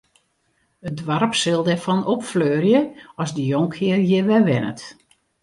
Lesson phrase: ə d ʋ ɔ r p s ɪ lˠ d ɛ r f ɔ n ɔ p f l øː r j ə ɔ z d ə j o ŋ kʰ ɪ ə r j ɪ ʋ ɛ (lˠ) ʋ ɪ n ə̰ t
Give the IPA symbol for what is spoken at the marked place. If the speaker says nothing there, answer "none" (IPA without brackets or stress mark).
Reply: none